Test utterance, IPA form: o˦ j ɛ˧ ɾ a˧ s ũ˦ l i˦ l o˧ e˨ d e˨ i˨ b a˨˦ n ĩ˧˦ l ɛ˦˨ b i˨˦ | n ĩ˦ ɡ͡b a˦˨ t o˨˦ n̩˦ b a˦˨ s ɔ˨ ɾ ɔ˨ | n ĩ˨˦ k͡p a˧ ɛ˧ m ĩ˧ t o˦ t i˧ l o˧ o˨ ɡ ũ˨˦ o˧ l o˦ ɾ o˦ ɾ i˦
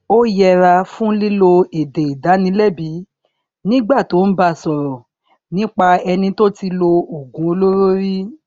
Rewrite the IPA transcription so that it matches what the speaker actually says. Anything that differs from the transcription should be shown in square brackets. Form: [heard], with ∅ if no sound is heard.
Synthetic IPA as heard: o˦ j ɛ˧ ɾ a˧ [f] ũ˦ l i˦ l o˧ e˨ d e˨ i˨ [d] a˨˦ n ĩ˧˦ l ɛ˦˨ b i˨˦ | n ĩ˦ ɡ͡b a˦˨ t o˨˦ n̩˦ b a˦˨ s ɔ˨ ɾ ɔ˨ | n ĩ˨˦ k͡p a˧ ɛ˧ [n] ĩ˧ t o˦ t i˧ l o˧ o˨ ɡ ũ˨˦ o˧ l o˦ ɾ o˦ ɾ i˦